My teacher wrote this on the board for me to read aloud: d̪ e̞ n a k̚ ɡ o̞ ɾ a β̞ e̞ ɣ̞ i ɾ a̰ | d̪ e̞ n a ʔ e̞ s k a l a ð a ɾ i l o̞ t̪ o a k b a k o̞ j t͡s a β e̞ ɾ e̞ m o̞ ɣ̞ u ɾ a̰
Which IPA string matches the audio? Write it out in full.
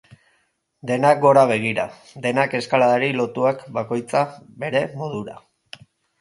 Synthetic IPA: d̪ e̞ n a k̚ ɡ o̞ ɾ a β̞ e̞ ɣ̞ i ɾ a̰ | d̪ e̞ n a k e̞ s k a l a ð a ɾ i l o̞ t̪ u a k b a k o̞ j t͡s a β e̞ ɾ e̞ m o̞ ð̞ u ɾ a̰